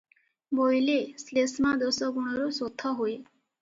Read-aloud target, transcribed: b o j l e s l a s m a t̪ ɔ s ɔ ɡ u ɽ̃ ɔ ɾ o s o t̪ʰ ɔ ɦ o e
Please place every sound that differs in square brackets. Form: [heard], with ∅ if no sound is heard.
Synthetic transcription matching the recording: b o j l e s l [e] s m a [d̪] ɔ s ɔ ɡ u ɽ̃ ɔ ɾ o s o t̪ʰ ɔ ɦ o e